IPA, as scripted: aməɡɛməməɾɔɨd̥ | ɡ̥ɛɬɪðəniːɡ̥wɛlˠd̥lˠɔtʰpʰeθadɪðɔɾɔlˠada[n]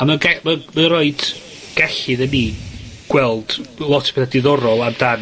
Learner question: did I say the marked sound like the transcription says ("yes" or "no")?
yes